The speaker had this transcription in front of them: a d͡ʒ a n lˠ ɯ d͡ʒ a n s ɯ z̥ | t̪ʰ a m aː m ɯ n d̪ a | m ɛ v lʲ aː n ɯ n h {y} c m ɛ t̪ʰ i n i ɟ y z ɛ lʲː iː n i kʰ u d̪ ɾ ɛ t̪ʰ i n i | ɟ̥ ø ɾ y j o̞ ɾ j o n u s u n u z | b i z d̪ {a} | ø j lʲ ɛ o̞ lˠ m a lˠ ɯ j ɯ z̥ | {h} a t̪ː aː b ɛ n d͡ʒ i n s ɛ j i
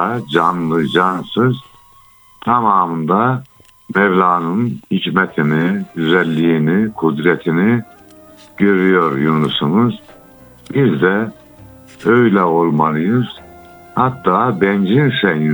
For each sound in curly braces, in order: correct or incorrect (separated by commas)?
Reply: incorrect, incorrect, correct